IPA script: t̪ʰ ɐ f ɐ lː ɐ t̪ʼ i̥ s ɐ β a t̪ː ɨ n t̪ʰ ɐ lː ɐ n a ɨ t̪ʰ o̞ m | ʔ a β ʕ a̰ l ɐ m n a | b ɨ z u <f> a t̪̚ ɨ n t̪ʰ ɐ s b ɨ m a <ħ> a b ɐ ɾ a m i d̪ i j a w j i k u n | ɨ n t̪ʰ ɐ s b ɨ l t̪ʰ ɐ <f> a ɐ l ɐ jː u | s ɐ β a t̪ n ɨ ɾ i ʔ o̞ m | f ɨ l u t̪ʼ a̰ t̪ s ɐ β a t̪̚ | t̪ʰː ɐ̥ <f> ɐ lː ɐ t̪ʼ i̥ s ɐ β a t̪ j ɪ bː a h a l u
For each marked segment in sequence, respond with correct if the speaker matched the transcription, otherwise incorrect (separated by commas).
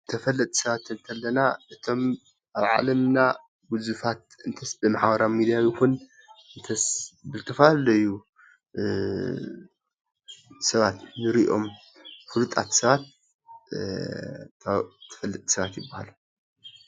correct, correct, correct, correct